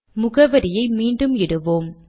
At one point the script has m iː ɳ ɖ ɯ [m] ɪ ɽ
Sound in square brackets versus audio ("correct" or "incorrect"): correct